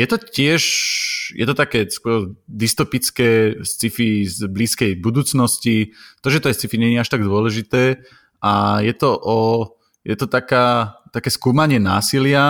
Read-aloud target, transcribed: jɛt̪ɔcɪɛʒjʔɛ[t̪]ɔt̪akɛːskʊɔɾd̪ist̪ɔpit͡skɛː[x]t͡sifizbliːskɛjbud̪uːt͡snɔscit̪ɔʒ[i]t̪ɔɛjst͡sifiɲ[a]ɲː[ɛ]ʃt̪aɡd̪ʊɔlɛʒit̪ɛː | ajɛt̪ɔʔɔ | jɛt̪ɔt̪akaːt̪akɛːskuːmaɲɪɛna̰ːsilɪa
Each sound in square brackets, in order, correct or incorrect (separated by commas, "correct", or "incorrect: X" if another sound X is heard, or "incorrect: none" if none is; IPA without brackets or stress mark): correct, incorrect: s, incorrect: ɛ, incorrect: ɛ, incorrect: a